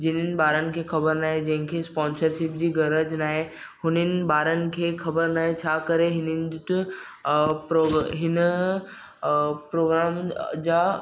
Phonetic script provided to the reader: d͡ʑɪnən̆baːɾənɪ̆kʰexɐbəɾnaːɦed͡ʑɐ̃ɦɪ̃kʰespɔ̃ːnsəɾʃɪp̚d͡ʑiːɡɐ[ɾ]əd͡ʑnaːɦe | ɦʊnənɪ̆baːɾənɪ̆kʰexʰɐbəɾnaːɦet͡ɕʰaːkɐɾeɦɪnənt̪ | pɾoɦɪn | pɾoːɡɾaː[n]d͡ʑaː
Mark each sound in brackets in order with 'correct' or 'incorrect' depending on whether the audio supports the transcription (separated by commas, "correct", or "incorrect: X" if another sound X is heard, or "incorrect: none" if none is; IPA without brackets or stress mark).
correct, incorrect: m